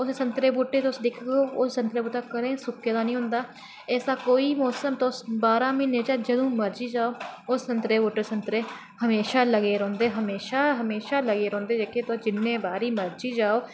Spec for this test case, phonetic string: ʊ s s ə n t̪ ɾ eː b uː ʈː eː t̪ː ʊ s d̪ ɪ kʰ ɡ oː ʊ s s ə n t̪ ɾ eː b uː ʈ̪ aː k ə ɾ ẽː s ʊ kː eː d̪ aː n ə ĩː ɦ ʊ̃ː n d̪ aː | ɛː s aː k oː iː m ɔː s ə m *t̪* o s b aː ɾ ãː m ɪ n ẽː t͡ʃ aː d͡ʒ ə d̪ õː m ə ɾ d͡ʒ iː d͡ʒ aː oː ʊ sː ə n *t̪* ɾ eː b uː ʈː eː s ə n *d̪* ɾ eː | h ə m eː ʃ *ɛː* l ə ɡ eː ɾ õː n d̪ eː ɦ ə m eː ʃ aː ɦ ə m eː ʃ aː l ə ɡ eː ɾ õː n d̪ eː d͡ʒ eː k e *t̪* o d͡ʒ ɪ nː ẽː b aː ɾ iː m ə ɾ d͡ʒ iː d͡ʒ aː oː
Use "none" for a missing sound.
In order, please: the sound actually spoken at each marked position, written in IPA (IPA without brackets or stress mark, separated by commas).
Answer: t̪, t̪, t̪, aː, t̪